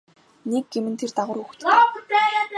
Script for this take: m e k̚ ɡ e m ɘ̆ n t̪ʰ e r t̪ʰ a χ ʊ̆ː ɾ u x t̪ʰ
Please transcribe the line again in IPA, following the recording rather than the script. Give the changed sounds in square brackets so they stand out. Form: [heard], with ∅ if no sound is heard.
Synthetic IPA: [n] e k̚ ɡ e m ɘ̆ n t̪ʰ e r [t̪] a [ʁ] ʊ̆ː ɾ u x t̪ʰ